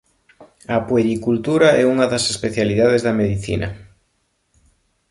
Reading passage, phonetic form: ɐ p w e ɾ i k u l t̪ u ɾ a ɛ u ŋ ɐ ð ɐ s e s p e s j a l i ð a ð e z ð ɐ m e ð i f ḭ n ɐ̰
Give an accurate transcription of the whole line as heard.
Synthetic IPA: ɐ p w e ɾ i k u l t̪ u ɾ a ɛ u ŋ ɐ ð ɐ s e s p e θ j a l i ð a ð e z ð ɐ m e ð i θ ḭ n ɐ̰